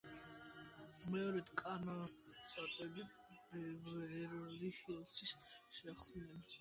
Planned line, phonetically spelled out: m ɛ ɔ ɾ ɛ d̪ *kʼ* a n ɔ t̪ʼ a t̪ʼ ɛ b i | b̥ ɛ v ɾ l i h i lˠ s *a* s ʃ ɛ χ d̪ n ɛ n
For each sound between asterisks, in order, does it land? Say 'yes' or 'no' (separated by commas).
yes, no